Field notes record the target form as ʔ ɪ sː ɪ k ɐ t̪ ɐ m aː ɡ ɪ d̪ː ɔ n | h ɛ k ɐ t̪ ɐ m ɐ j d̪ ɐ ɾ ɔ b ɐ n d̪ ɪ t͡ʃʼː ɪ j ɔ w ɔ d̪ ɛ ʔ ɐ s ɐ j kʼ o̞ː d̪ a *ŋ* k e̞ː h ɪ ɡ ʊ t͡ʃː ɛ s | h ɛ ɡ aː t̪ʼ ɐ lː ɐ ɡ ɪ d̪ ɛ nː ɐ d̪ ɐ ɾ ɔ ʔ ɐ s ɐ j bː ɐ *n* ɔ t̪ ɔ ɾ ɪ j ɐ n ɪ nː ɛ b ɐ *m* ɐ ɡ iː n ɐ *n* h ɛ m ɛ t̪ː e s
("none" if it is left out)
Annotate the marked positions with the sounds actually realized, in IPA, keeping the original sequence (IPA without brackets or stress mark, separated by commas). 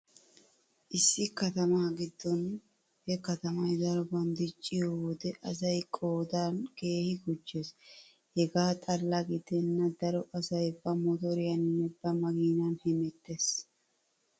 n, m, m, n